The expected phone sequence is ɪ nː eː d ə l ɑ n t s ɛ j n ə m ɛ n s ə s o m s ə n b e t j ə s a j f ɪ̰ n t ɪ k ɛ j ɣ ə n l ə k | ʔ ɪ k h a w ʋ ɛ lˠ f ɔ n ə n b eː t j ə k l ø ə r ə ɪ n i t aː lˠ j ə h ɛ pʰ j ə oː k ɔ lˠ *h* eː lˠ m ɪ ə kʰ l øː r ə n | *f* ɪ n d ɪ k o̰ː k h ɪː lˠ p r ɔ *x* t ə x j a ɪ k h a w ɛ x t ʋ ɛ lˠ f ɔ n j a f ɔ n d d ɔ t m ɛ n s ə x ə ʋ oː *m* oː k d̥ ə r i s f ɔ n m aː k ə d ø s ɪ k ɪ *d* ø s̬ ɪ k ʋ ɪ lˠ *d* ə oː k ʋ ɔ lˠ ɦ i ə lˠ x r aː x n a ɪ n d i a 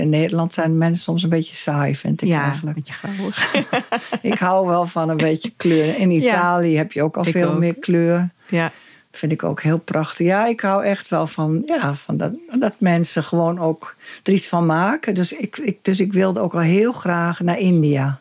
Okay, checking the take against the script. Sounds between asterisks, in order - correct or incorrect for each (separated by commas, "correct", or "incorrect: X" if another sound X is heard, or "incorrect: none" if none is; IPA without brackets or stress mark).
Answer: incorrect: f, correct, correct, incorrect: n, correct, correct